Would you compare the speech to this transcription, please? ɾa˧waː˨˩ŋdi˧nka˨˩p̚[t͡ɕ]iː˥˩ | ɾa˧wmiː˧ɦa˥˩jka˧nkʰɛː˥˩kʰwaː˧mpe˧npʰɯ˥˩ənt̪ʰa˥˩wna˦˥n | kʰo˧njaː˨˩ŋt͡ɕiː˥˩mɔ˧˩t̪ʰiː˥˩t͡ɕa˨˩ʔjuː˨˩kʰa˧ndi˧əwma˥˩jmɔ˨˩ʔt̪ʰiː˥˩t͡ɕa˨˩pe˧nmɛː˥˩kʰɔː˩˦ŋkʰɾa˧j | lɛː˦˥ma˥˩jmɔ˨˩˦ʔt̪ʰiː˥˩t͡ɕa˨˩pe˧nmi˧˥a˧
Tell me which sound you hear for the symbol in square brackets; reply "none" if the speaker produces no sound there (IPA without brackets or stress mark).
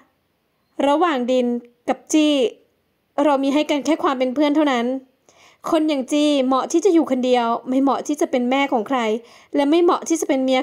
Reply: t͡ɕ